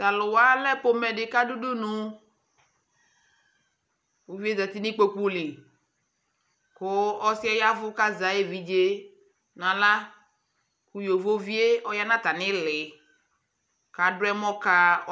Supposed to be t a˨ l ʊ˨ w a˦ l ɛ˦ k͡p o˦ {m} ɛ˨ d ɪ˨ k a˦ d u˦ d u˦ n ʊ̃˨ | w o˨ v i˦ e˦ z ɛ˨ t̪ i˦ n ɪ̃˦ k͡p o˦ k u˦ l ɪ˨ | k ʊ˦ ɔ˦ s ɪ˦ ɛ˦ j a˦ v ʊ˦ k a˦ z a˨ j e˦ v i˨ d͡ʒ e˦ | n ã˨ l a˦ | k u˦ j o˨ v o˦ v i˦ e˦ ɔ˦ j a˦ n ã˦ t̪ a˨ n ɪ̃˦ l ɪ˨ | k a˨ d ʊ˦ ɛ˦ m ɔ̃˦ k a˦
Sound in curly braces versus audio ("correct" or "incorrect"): correct